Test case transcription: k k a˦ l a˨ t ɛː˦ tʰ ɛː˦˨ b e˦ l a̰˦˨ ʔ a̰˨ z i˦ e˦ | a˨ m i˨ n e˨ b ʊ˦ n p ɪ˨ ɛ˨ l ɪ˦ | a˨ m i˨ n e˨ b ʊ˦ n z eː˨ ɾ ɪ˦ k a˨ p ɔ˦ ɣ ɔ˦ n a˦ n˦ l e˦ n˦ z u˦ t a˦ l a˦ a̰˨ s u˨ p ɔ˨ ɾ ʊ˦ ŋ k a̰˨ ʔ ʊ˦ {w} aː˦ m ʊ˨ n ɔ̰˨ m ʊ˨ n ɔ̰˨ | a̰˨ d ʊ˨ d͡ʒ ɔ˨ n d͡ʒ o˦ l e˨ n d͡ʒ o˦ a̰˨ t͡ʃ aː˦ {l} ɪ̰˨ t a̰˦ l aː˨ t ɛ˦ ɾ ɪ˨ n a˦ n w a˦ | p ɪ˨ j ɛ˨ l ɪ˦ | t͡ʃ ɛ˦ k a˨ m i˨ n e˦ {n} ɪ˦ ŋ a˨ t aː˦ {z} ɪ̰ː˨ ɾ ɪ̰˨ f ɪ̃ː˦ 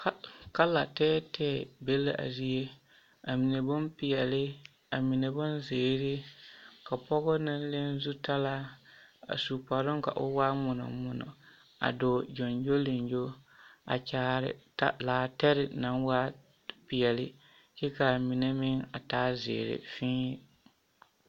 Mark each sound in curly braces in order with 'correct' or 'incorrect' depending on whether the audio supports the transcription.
correct, incorrect, incorrect, correct

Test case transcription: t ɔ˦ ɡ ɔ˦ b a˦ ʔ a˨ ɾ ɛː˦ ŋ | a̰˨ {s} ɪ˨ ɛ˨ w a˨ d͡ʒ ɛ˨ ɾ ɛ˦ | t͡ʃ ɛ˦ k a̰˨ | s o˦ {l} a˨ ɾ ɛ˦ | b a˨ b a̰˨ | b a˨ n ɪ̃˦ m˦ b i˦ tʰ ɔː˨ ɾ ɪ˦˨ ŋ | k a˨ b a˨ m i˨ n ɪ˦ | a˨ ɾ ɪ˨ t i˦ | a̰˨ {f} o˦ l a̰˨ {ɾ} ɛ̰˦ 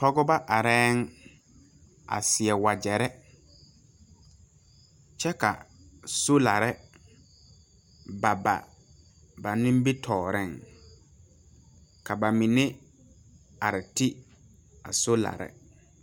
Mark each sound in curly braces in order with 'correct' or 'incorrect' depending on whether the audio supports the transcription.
correct, correct, incorrect, correct

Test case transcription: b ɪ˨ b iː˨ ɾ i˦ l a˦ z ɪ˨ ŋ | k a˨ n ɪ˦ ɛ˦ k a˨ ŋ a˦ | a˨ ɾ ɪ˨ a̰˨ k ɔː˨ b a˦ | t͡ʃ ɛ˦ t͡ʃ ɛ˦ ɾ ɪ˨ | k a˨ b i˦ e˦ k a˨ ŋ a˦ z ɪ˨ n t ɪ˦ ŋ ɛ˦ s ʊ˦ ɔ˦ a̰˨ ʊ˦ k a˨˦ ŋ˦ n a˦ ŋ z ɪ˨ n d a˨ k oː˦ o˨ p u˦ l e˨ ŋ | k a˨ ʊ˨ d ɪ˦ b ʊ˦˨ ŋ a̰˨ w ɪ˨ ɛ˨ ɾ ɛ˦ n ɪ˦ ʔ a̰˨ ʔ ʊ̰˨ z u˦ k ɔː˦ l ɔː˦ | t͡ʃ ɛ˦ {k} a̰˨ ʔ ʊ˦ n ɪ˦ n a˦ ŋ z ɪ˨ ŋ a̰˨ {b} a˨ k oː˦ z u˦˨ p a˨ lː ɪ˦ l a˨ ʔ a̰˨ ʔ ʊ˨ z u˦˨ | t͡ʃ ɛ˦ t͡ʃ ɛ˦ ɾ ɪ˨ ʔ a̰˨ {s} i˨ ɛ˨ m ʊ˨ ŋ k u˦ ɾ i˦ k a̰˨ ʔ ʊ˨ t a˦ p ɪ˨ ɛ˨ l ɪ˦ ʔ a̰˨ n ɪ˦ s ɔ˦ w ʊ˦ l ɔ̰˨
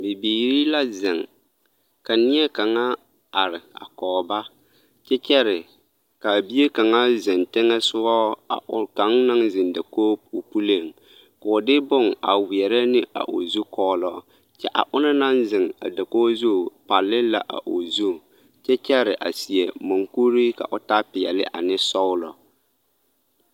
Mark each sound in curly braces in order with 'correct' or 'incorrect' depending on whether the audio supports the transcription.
incorrect, incorrect, correct

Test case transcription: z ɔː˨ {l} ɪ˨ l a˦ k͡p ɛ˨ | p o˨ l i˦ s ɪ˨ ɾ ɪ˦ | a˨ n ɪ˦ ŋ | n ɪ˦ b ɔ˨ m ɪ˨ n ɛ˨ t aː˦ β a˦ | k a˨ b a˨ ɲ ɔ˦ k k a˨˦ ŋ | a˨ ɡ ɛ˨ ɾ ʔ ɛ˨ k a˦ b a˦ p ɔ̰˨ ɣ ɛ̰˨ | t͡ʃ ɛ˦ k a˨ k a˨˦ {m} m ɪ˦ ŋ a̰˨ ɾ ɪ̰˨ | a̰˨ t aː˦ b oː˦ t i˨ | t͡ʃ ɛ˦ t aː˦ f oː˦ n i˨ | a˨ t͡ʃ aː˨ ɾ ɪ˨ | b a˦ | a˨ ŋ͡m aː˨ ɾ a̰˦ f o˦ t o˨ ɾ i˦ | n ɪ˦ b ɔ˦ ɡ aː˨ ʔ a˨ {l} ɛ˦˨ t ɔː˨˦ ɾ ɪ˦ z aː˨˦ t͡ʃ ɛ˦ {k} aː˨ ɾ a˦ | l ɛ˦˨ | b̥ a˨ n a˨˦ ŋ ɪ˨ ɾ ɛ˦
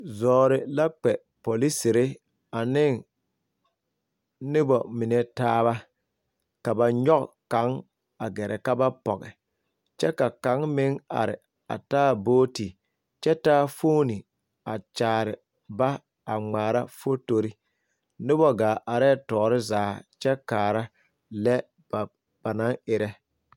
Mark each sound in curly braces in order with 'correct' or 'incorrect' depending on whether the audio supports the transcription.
incorrect, incorrect, incorrect, correct

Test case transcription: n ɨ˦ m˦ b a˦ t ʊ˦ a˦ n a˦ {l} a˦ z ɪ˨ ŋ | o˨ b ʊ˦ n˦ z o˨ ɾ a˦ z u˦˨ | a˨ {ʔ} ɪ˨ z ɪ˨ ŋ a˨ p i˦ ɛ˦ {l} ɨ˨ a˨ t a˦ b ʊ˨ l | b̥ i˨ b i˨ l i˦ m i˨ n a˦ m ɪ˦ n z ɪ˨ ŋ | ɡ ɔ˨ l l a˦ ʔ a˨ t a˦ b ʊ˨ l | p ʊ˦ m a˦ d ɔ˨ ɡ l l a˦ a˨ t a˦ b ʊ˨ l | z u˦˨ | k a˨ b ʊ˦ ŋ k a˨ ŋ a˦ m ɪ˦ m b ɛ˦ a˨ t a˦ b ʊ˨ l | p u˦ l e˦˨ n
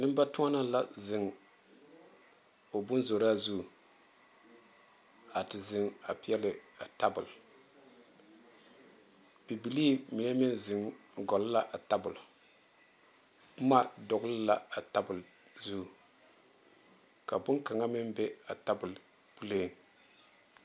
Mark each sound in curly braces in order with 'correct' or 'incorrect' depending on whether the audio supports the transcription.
correct, incorrect, correct

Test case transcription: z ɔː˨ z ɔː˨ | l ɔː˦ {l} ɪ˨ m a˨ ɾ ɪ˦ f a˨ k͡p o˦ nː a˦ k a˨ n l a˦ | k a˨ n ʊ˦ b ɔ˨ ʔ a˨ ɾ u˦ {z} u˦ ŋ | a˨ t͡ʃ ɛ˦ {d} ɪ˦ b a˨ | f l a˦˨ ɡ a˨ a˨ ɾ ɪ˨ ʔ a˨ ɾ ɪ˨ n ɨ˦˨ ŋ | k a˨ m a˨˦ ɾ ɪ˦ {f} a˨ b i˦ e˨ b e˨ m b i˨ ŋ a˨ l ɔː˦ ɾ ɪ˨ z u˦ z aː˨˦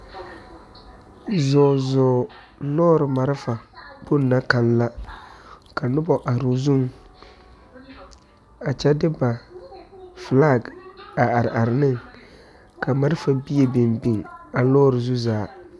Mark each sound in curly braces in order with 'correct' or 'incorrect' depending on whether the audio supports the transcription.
incorrect, correct, correct, correct

